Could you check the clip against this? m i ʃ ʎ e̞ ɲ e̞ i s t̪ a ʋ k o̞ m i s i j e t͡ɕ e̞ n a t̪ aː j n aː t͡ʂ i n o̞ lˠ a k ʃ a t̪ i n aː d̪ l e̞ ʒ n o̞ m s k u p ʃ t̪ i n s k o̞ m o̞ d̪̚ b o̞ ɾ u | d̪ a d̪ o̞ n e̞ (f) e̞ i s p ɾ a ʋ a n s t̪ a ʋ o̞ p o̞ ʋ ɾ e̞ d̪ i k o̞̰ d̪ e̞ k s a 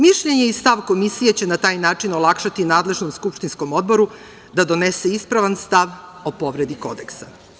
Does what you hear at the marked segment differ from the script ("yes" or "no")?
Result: yes